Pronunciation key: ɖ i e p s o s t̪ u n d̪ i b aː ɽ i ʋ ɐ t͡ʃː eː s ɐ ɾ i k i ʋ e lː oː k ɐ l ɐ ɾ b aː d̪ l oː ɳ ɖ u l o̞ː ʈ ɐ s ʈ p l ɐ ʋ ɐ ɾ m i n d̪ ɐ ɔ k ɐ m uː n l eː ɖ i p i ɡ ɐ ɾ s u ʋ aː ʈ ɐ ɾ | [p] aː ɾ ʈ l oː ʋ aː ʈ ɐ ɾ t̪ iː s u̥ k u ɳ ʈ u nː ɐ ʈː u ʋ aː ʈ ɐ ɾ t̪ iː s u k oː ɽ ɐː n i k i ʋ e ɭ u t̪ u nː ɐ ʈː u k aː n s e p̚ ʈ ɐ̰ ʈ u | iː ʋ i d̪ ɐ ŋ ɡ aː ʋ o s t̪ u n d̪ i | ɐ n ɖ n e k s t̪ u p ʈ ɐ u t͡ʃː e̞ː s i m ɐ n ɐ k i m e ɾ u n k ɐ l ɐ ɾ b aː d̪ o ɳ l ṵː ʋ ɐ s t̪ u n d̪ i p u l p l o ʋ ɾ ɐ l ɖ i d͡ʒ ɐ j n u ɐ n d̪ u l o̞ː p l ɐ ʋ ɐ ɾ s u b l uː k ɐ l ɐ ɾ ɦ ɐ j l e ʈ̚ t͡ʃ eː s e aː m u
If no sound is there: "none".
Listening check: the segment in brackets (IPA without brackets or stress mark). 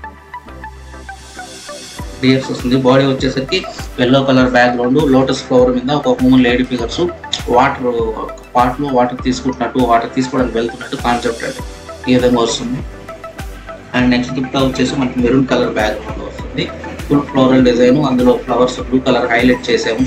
p